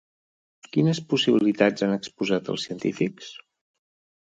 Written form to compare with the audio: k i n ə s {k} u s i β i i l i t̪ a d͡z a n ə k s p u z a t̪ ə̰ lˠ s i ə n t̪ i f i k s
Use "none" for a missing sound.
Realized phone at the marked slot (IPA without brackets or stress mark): p